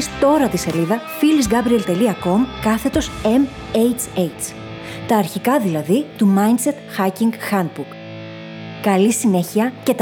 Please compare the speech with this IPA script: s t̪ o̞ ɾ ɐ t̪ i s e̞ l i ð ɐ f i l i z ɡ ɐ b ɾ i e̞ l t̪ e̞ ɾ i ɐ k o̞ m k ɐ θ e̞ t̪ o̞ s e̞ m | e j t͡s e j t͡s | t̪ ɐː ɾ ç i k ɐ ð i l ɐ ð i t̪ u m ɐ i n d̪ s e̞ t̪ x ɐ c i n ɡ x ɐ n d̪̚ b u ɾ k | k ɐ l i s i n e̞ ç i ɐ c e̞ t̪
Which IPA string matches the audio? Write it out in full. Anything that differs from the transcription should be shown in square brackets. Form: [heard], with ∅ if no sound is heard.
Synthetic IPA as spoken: s t̪ o̞ ɾ ɐ t̪ i s e̞ l i ð ɐ f i l i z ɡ ɐ b ɾ i e̞ l t̪ e̞ [l] i ɐ k o̞ m k ɐ θ e̞ t̪ o̞ s e̞ m | e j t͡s e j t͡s | t̪ ɐː ɾ ç i k ɐ ð i l ɐ ð i t̪ u m ɐ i n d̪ s e̞ t̪ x ɐ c i [ŋ] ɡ x ɐ n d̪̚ b u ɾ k | k ɐ l i s i n e̞ ç i ɐ c e̞ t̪